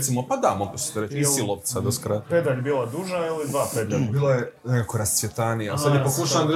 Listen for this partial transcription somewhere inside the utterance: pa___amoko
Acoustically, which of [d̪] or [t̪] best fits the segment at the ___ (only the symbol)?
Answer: d̪